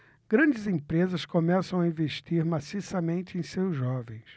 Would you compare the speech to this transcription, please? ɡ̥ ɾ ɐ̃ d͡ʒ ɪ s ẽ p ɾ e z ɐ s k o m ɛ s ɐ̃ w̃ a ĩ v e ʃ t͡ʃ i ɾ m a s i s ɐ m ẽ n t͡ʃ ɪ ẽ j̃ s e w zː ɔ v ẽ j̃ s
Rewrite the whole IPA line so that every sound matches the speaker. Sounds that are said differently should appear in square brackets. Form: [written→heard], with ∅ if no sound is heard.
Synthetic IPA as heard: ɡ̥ ɾ ɐ̃ d͡ʒ ɪ [s→z] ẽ p ɾ e z ɐ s k o m ɛ s ɐ̃ w̃ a ĩ v e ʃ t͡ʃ i ɾ m a s i s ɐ m ẽ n t͡ʃ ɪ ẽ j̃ s e w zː ɔ v ẽ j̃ s

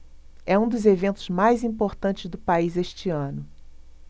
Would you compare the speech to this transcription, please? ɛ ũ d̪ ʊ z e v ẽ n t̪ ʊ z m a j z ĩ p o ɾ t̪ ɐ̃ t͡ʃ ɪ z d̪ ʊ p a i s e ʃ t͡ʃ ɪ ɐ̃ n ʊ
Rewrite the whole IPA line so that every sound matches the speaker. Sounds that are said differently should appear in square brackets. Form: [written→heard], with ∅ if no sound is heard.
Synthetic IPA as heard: ɛ ũ d̪ ʊ z e v ẽ n t̪ ʊ z m a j z ĩ p o ɾ t̪ ɐ̃ t͡ʃ ɪ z d̪ ʊ p a i [s→z] e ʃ t͡ʃ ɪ ɐ̃ n ʊ

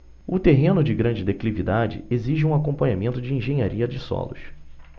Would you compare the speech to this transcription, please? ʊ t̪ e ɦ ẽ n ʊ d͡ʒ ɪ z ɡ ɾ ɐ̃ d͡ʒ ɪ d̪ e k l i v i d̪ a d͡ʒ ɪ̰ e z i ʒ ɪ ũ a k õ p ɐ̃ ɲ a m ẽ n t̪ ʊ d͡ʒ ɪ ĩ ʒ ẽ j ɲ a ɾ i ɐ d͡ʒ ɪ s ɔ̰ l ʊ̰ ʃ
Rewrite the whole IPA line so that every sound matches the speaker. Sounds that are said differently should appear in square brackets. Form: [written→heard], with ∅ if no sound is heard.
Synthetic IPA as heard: ʊ t̪ e ɦ ẽ n ʊ d͡ʒ ɪ [z→∅] ɡ ɾ ɐ̃ d͡ʒ ɪ d̪ e k l i v i d̪ a d͡ʒ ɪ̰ e z i ʒ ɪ ũ a k õ p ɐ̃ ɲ a m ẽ n t̪ ʊ d͡ʒ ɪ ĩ ʒ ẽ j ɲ a ɾ i ɐ d͡ʒ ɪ s ɔ̰ l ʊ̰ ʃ

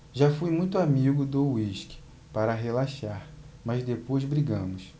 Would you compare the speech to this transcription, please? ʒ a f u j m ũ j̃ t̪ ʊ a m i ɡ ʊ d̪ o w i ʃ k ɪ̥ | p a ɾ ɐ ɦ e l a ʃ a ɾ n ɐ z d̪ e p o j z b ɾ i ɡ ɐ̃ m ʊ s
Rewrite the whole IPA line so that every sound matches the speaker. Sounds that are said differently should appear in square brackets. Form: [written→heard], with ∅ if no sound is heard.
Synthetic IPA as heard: ʒ a f u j m ũ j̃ t̪ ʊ a m i ɡ ʊ d̪ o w i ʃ k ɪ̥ | p a ɾ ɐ ɦ e l a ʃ a ɾ [n→m] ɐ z d̪ e p o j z b ɾ i ɡ ɐ̃ m ʊ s

